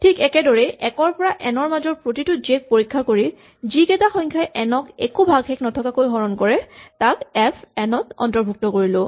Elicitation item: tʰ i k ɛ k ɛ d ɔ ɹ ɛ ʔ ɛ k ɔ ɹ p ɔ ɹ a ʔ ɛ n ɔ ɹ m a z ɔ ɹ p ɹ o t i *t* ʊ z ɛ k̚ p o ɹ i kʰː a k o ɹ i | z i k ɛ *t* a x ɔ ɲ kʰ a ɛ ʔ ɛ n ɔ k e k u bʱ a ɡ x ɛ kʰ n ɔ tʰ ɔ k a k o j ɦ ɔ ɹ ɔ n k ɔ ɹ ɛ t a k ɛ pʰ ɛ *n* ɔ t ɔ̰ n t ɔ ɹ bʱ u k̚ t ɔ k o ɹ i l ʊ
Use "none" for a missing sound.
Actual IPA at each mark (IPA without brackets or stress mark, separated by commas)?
t, t, n